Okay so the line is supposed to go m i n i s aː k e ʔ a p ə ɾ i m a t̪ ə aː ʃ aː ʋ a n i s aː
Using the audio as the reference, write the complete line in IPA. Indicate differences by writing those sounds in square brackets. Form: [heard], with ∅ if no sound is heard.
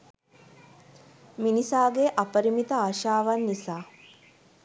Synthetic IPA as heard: m i n i s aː [ɡ] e ʔ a p ə ɾ i m [i] t̪ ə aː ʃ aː ʋ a [nː] i s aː